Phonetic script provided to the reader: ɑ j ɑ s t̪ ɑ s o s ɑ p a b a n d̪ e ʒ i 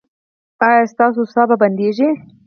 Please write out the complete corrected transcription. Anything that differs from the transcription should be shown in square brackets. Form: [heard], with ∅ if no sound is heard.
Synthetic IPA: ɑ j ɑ s t̪ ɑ s o s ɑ [b] a b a n d̪ e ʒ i